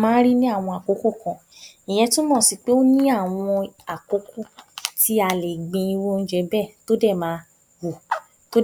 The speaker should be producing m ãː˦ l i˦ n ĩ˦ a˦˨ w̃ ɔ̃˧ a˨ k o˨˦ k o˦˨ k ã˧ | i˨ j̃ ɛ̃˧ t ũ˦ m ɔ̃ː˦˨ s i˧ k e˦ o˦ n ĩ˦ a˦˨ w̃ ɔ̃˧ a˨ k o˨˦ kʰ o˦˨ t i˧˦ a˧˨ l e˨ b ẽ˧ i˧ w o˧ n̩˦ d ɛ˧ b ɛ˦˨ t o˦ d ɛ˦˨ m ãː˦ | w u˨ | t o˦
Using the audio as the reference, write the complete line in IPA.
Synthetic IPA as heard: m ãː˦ ɾ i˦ n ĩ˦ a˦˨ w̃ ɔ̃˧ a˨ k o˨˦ k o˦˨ k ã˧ | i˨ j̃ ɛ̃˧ t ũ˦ m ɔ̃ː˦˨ s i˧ k͡p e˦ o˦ n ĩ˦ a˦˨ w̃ ɔ̃˧ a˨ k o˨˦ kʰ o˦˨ t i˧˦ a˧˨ l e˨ ɡ͡b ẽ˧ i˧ w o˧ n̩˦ d͡ʒ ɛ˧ b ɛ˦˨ t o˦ d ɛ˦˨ m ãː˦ | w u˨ | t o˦